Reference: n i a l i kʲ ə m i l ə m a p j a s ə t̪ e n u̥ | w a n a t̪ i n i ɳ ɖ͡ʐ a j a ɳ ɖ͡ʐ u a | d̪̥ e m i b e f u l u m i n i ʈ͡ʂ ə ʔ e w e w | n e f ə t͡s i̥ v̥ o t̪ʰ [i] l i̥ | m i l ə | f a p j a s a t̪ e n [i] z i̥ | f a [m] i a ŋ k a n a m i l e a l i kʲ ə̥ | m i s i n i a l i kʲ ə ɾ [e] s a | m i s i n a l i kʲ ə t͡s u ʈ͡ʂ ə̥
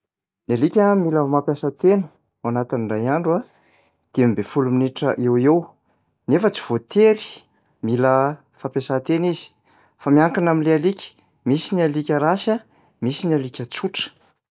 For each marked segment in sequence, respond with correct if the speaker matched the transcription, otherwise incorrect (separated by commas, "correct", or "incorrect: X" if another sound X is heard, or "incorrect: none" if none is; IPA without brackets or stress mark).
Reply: incorrect: e, correct, correct, incorrect: a